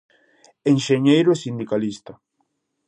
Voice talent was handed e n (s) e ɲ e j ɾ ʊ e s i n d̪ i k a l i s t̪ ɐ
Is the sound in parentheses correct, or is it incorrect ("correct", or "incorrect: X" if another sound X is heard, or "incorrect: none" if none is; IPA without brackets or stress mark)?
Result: incorrect: ʃ